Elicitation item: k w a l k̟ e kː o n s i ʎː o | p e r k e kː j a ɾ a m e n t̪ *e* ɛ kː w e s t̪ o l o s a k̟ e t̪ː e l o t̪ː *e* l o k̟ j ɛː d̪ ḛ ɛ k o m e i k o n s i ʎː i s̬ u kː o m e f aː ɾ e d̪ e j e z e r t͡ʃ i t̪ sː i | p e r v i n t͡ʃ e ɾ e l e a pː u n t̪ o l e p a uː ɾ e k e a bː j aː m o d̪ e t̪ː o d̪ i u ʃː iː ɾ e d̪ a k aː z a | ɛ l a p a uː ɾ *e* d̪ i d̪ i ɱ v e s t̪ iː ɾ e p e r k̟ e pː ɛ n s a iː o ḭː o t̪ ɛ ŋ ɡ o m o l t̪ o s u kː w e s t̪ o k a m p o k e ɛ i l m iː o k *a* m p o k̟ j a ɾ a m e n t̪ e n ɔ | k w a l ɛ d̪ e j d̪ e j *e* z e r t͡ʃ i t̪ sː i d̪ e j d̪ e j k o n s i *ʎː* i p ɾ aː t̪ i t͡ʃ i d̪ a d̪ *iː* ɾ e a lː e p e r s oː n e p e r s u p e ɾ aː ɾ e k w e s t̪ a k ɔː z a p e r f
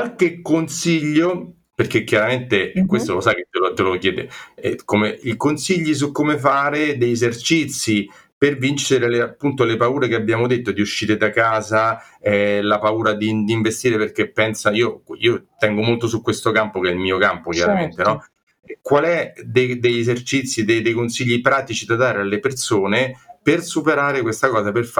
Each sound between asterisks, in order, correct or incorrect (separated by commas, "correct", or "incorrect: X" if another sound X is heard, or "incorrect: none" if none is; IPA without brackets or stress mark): correct, correct, incorrect: a, correct, correct, correct, incorrect: aː